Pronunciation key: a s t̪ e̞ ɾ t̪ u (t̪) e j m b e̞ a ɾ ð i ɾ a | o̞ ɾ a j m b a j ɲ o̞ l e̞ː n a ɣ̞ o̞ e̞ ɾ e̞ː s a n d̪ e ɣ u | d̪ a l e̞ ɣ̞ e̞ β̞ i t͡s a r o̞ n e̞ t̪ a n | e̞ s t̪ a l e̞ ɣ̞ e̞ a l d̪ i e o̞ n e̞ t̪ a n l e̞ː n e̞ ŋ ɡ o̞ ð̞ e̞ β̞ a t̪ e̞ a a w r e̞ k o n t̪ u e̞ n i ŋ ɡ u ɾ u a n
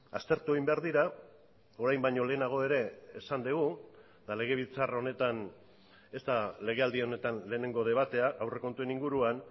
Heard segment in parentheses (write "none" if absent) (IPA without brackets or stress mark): none